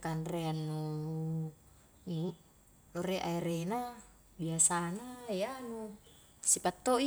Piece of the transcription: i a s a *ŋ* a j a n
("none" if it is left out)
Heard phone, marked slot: n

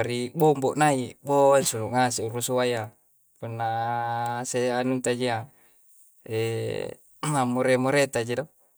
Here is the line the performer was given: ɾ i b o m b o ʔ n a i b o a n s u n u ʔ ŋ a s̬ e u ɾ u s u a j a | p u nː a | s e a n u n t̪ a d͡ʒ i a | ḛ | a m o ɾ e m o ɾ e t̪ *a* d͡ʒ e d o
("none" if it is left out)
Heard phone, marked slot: a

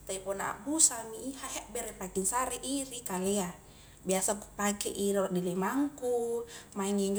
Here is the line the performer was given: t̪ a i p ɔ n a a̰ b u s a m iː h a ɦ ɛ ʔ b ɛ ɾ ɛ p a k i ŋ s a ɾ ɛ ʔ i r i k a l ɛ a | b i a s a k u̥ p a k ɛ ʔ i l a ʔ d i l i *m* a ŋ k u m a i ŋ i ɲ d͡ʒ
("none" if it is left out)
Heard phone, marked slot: m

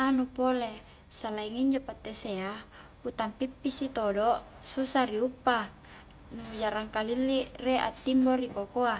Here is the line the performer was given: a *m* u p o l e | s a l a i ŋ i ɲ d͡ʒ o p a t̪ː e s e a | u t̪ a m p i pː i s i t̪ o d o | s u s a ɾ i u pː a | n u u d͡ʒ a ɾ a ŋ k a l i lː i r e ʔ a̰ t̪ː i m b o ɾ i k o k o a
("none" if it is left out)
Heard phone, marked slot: n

